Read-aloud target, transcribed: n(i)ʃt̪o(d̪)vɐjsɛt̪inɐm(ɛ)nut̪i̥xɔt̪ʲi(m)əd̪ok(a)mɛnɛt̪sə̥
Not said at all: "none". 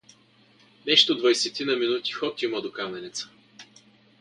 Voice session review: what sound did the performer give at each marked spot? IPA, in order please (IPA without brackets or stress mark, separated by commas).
ɛ, d̪, i, m, a